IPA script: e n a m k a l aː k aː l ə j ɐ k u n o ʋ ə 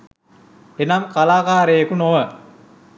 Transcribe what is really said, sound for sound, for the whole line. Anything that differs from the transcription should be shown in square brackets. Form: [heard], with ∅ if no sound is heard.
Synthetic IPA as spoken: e n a m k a l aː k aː [ɾ] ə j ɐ k u n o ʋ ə